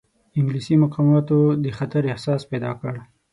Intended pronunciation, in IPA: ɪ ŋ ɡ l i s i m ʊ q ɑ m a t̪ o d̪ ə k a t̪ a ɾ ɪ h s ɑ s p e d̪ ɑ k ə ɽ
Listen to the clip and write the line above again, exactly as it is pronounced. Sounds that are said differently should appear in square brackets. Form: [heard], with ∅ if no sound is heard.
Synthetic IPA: ɪ ŋ ɡ l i s i m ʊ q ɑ m [ɑ] t̪ o d̪ ə [x] a t̪ a ɾ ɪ h s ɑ s p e d̪ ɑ k ə ɽ